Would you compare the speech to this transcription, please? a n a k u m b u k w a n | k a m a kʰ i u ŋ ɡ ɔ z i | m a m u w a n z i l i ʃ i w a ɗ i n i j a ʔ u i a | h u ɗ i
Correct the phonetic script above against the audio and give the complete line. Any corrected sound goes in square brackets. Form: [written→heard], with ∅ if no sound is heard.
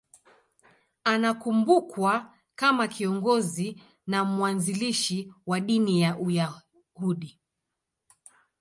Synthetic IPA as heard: a n a k u m b u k w a [n→∅] | k a m a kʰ i [u→ɔ] ŋ ɡ ɔ z i | [m→n] a m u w a n z i l i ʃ i w a ɗ i n i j a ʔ u [i→j] a | h u ɗ i